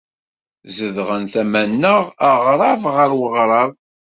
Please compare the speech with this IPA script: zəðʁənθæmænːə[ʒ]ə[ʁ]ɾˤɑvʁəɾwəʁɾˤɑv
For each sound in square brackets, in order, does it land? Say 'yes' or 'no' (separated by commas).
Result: no, yes